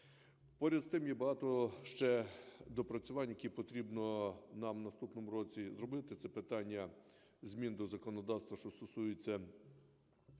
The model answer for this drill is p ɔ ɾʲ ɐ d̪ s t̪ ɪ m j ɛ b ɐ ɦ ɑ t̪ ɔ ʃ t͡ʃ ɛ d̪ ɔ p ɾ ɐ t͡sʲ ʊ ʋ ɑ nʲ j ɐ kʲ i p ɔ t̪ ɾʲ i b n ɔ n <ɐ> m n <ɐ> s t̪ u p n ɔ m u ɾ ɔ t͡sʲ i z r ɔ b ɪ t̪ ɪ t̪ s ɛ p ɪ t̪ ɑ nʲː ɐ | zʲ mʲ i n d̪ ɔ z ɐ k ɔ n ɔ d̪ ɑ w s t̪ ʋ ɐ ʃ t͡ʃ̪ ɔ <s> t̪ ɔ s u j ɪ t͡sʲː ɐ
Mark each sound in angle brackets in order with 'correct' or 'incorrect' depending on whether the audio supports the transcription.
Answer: incorrect: ɑ, correct, correct

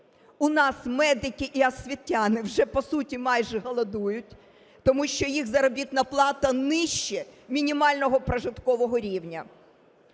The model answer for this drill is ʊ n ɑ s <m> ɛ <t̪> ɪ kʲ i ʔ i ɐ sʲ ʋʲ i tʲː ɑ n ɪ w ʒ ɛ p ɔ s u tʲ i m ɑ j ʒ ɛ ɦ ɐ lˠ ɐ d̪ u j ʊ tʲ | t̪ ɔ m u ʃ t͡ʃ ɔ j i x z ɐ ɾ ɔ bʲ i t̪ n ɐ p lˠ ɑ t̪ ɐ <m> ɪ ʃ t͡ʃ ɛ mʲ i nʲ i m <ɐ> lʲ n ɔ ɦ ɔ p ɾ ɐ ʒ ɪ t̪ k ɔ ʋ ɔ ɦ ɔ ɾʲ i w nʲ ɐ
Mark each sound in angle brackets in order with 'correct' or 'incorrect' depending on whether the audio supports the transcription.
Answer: correct, incorrect: d̪, incorrect: n, incorrect: ɑ

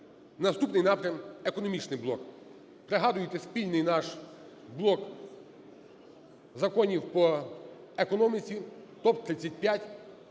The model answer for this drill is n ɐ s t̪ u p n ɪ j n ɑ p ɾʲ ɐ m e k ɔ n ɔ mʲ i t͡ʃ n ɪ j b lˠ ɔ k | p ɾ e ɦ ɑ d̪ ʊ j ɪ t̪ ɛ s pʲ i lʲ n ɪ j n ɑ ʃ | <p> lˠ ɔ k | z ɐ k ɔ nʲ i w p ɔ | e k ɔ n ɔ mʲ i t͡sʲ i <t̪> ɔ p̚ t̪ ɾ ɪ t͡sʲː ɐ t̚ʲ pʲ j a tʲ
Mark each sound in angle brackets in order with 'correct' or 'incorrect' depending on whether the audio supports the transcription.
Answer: incorrect: b, correct

